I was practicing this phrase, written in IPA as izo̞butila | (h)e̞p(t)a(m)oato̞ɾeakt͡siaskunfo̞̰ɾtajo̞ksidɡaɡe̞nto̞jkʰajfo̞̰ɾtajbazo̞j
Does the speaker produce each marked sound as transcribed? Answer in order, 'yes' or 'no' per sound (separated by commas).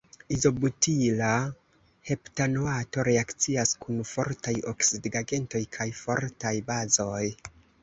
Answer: yes, yes, no